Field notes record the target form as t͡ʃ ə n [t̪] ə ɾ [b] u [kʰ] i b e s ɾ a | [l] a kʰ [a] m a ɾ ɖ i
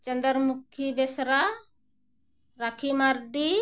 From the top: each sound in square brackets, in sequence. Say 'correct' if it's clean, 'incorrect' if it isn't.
incorrect: d̪, incorrect: m, correct, incorrect: ɾ, incorrect: i

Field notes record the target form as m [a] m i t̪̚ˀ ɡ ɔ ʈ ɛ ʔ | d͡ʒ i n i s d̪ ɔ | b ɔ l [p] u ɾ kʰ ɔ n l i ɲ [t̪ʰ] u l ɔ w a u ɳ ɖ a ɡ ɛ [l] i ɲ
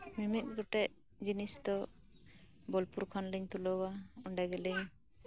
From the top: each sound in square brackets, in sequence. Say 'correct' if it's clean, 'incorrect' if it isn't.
incorrect: i, correct, incorrect: t̪, correct

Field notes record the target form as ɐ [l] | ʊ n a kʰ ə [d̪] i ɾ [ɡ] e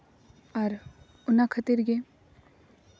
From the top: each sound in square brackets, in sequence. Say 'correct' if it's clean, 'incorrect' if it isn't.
incorrect: ɾ, incorrect: t̪, correct

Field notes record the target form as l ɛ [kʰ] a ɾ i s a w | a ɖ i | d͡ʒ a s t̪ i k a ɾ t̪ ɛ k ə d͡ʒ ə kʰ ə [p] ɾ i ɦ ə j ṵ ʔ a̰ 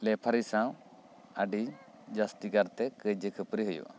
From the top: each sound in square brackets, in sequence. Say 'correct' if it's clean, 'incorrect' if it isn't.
incorrect: pʰ, correct

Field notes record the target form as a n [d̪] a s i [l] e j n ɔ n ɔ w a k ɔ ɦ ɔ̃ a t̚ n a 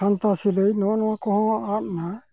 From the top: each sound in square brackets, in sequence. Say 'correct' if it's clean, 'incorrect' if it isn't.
incorrect: t̪, correct

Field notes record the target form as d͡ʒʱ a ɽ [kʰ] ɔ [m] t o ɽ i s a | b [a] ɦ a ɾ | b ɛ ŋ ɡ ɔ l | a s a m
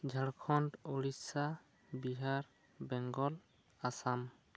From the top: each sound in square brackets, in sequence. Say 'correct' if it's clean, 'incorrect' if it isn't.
correct, incorrect: n, incorrect: i

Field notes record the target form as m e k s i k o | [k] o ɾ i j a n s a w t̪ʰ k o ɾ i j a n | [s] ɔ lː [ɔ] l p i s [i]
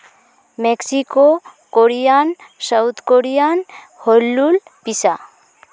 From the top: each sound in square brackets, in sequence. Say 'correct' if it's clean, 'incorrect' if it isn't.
correct, incorrect: h, incorrect: u, incorrect: a

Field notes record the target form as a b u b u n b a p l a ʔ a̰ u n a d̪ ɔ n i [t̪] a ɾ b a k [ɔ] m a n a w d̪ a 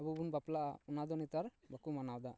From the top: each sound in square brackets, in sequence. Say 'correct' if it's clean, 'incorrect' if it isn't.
correct, incorrect: u

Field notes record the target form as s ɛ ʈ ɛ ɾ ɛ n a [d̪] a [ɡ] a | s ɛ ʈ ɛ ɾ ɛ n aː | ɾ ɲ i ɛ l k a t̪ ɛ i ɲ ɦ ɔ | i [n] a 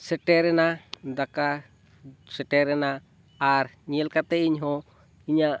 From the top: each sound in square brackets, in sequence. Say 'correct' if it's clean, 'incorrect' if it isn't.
correct, incorrect: k, incorrect: ɲ

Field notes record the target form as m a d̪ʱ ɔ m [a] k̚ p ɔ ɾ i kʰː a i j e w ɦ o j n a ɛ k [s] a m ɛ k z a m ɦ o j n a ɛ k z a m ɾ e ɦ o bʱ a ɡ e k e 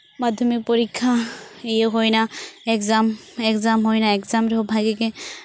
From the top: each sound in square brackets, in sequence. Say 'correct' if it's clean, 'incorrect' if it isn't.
incorrect: i, incorrect: z

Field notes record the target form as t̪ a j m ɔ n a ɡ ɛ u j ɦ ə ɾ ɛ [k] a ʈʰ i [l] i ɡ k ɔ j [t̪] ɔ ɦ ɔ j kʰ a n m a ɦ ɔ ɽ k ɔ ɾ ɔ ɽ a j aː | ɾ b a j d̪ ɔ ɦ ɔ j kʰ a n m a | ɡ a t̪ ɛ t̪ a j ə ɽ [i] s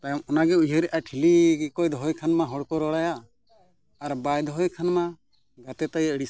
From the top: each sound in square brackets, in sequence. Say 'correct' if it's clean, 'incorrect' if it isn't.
incorrect: ʔ, correct, incorrect: d̪, correct

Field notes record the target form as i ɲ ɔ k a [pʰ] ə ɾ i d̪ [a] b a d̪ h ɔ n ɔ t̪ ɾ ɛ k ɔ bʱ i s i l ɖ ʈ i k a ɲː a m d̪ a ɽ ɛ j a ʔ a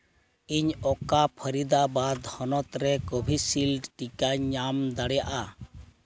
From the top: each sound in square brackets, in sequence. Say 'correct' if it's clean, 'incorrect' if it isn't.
correct, correct

